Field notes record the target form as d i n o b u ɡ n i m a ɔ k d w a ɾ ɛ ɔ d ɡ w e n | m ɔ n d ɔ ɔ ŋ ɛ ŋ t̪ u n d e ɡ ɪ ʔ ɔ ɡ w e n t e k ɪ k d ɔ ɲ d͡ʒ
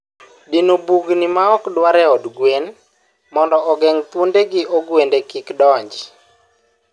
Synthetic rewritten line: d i n o b u ɡ n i m a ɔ k d w a ɾ ɛ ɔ d ɡ w e n | m ɔ n d ɔ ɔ ɡ ɛ ŋ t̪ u n d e ɡ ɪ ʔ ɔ ɡ w e n d e k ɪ k d ɔ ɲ d͡ʒ